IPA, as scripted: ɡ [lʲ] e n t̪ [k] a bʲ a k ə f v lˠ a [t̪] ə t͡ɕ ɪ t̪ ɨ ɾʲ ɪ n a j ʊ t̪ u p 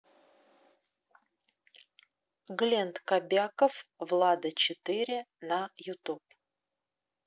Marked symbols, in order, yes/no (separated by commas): yes, yes, no